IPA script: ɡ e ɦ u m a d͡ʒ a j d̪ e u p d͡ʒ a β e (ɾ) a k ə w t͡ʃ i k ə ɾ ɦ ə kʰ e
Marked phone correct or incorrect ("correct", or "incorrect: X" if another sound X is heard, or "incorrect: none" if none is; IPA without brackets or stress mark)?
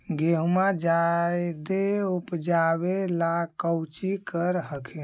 incorrect: l